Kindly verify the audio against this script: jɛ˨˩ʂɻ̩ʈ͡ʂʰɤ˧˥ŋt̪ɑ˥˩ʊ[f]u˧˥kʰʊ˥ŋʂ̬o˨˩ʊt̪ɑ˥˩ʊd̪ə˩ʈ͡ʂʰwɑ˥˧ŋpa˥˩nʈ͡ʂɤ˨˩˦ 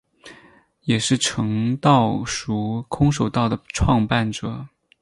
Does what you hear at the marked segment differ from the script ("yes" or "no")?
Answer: yes